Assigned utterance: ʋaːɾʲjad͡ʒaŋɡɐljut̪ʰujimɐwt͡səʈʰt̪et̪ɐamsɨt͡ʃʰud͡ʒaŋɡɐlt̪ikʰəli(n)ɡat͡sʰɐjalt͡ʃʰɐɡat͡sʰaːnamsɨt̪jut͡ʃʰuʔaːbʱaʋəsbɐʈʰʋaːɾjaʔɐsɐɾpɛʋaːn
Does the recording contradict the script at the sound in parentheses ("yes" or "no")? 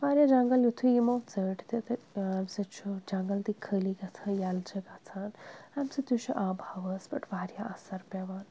yes